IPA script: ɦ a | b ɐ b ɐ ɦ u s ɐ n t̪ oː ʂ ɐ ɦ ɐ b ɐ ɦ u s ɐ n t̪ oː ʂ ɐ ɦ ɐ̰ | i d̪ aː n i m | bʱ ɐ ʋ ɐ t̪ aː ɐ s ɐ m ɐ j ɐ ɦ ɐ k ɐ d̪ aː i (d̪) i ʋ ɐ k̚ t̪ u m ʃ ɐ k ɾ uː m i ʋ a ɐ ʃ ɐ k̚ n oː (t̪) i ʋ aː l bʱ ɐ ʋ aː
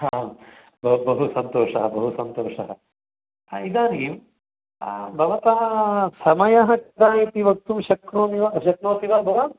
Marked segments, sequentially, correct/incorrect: incorrect: t̪, correct

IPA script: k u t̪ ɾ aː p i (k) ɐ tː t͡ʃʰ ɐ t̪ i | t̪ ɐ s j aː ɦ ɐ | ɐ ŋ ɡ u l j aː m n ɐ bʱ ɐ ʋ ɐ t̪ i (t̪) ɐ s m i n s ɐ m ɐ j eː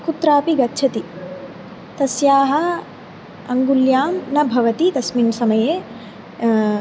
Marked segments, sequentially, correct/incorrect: incorrect: ɡ, correct

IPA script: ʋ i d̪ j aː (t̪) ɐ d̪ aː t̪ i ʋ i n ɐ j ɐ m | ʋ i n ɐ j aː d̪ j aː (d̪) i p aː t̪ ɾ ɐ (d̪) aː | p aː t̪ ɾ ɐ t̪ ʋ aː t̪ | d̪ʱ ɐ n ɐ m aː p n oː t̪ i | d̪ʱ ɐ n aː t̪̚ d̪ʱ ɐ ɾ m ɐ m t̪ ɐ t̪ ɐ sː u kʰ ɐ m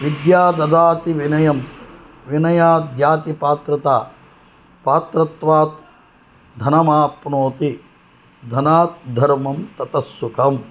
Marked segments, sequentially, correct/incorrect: incorrect: d̪, incorrect: t̪, incorrect: t̪

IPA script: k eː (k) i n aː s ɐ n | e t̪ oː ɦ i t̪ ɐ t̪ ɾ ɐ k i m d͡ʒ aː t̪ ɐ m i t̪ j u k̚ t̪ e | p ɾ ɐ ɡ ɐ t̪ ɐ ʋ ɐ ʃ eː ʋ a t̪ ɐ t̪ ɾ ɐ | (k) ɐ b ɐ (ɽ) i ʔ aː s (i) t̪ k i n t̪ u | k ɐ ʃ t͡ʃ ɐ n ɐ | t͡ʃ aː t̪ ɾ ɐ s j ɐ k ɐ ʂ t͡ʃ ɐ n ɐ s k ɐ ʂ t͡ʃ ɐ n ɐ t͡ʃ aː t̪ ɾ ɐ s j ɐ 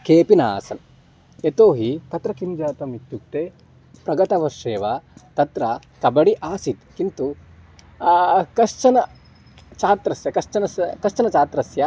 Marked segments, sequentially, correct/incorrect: incorrect: p, correct, correct, correct

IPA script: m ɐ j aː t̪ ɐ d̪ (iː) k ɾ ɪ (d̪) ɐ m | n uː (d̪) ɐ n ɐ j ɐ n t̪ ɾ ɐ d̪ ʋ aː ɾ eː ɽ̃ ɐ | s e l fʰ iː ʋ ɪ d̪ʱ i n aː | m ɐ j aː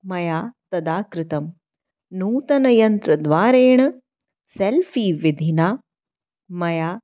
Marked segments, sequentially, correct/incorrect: incorrect: aː, incorrect: t̪, incorrect: t̪

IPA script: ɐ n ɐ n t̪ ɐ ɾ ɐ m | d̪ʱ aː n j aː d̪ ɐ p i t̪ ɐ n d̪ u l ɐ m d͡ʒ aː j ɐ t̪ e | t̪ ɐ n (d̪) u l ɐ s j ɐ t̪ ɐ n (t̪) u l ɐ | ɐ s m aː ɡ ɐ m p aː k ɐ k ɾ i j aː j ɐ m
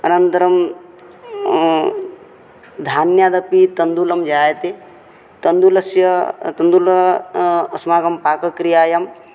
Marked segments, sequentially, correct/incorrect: correct, incorrect: d̪

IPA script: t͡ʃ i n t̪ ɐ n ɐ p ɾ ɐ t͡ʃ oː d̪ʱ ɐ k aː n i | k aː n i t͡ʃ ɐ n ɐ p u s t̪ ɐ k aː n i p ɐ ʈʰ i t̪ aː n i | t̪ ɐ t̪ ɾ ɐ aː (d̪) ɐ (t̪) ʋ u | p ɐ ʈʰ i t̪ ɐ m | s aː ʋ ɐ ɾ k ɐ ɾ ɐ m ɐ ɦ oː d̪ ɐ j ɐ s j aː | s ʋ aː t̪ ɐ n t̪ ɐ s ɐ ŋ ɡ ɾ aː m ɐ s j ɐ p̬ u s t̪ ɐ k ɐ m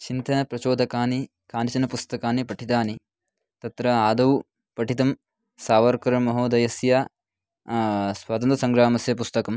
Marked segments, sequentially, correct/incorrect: correct, incorrect: none

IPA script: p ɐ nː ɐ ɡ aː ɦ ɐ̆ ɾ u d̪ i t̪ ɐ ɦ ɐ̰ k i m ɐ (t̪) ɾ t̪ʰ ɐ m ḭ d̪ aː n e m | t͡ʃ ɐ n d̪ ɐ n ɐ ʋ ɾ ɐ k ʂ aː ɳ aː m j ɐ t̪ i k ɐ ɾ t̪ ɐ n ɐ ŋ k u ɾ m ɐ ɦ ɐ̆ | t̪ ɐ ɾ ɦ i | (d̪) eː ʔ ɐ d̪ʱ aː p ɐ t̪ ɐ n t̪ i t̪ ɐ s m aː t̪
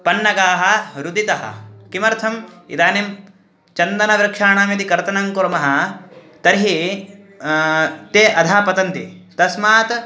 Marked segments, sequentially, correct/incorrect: incorrect: none, incorrect: t̪

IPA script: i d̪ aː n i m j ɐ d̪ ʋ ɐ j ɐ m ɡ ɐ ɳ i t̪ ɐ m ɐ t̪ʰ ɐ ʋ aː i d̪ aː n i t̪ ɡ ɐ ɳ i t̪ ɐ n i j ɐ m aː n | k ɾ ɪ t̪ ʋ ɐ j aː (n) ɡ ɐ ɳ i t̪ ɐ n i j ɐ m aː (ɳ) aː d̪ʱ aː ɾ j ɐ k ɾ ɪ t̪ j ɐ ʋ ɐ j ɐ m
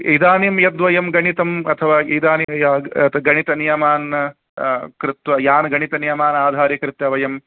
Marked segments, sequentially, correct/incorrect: correct, incorrect: n

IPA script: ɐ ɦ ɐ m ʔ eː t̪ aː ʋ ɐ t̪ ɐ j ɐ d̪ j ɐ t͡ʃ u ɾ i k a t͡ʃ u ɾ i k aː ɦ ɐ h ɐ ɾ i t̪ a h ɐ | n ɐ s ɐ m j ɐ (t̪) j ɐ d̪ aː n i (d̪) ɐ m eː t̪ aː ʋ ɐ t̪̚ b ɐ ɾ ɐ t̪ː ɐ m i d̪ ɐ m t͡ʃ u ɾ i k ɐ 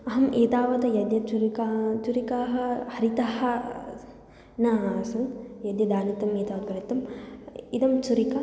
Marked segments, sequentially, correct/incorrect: incorrect: d̪, incorrect: t̪

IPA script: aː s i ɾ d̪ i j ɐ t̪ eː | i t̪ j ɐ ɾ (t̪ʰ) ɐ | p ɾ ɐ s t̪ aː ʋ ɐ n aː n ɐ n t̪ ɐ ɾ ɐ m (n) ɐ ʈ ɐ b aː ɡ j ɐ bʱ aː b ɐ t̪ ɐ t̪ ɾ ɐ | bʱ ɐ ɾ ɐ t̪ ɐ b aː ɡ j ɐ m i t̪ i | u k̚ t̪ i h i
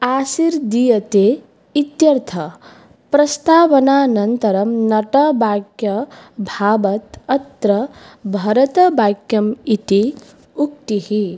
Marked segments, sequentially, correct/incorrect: correct, correct

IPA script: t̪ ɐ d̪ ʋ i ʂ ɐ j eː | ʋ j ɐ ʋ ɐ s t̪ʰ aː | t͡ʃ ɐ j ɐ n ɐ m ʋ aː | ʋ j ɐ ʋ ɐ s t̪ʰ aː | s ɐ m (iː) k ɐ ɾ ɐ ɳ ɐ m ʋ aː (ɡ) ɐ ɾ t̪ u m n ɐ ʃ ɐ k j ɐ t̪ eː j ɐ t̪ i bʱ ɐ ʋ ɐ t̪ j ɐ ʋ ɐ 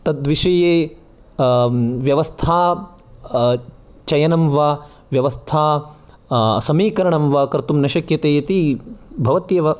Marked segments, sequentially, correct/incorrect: correct, incorrect: k

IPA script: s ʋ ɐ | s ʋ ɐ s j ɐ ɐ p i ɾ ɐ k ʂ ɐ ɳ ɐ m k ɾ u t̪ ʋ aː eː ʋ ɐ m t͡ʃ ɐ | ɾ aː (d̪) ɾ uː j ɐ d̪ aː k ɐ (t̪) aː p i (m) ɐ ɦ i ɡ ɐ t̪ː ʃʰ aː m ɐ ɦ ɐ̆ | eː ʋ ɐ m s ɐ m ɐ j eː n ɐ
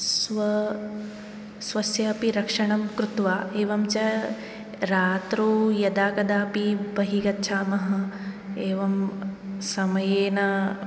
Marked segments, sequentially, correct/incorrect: incorrect: t̪, incorrect: d̪, incorrect: b

